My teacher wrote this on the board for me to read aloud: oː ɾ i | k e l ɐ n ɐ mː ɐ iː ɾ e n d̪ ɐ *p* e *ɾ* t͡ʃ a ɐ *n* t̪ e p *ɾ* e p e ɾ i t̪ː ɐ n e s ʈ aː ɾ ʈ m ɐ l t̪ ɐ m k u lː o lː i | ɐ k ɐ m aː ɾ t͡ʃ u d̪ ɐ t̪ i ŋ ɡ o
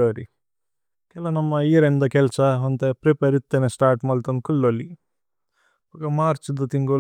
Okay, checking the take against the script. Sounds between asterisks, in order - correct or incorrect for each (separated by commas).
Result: incorrect, incorrect, correct, correct